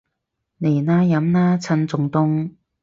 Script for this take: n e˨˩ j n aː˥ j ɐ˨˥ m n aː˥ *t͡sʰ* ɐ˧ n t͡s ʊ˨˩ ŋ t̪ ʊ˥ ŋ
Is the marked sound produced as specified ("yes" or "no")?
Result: yes